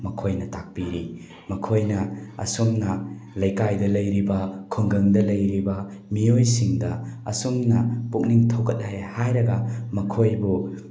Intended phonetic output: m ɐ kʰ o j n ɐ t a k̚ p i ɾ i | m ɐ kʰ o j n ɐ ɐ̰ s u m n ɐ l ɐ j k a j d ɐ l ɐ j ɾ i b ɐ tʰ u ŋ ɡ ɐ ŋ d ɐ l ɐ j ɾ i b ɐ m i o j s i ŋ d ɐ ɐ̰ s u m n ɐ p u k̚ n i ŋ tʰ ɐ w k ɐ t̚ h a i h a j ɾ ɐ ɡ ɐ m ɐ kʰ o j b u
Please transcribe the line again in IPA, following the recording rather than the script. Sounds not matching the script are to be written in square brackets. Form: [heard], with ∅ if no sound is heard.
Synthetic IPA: m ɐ kʰ o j n ɐ t a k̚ p i ɾ i | m ɐ kʰ o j n ɐ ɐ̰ s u m n ɐ l ɐ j k a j d ɐ l ɐ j ɾ i b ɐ [kʰ] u ŋ ɡ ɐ ŋ d ɐ l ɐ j ɾ i b ɐ m i o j s i ŋ d ɐ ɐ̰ s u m n ɐ p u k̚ n i ŋ tʰ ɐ w k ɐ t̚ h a [j] h a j ɾ ɐ ɡ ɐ m ɐ kʰ o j b u